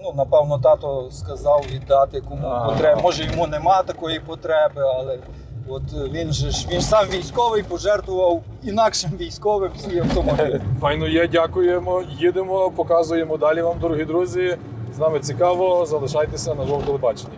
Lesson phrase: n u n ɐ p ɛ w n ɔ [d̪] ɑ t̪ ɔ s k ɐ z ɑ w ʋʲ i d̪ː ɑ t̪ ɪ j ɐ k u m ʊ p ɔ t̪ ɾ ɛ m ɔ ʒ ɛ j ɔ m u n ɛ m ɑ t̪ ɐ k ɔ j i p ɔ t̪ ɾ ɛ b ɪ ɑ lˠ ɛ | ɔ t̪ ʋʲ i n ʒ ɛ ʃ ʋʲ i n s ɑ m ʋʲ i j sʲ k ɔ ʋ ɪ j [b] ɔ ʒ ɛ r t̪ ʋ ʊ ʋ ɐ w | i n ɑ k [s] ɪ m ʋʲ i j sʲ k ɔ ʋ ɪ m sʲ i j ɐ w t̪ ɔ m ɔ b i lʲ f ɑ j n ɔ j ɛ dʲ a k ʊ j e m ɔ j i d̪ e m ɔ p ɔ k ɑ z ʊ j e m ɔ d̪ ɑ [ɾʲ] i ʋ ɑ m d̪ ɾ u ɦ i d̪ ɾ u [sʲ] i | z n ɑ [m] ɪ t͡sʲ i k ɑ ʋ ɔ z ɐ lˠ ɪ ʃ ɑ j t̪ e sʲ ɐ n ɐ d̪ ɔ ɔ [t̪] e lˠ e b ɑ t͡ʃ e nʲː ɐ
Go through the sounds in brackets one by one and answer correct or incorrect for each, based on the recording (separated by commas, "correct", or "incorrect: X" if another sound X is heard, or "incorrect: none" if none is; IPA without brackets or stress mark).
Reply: incorrect: t̪, incorrect: p, incorrect: ʃ, incorrect: lʲ, incorrect: zʲ, correct, correct